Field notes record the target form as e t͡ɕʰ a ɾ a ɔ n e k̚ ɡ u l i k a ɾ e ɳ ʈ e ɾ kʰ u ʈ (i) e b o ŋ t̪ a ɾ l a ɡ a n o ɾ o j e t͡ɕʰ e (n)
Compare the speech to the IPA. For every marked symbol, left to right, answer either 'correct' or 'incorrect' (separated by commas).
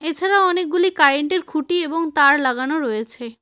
correct, incorrect